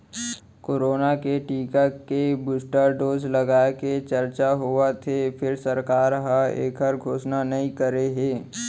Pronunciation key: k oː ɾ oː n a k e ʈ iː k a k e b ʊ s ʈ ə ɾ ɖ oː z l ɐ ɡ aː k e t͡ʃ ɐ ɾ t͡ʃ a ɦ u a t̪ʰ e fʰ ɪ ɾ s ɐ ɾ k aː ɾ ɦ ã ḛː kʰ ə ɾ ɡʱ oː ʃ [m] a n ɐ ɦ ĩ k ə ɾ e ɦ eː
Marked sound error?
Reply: yes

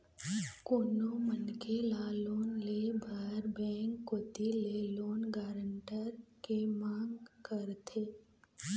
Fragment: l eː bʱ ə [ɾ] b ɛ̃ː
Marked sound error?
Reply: no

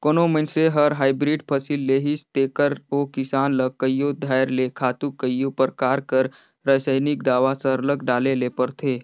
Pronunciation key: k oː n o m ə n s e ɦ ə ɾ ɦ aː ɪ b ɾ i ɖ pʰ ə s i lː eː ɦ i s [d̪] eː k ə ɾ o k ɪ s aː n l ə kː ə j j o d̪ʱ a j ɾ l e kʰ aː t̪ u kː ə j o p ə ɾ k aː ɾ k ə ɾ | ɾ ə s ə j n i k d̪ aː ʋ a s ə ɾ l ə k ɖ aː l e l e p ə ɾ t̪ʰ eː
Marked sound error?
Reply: yes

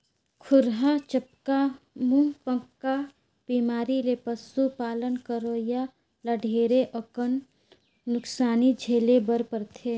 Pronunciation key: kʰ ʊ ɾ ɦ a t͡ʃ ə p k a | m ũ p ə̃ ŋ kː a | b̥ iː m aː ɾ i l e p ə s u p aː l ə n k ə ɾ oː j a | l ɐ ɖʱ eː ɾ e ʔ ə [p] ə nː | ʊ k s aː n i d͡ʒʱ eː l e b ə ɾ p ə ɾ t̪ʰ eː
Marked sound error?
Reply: yes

